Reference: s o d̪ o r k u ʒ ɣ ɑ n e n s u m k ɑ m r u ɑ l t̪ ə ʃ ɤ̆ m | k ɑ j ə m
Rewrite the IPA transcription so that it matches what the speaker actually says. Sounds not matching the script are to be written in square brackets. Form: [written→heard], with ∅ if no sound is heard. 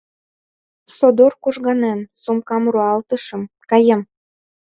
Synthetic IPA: s o d̪ o r k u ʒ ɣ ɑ n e n s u m k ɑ m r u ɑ l t̪ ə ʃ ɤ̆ m | k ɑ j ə m